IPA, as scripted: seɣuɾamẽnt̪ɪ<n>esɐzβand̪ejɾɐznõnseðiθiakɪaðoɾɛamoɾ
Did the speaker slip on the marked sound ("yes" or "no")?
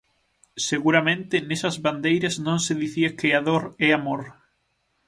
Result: no